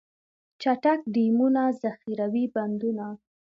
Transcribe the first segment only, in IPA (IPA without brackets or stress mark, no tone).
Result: t͡ʃ